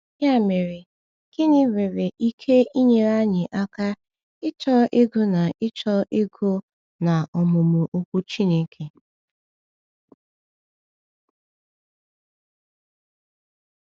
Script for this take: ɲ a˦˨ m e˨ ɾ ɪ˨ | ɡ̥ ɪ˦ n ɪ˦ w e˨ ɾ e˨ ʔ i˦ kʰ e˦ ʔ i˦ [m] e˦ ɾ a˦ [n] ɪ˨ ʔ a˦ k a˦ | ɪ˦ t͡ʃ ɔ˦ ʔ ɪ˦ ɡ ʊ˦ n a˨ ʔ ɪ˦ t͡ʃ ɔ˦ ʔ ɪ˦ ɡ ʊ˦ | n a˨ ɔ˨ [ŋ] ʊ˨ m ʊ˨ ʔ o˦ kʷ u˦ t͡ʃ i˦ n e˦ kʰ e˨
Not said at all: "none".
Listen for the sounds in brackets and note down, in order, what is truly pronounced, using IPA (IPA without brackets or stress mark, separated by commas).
ɲ, ɲ, m